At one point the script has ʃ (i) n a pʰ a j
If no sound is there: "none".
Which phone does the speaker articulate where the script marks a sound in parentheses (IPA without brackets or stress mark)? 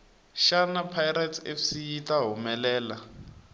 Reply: a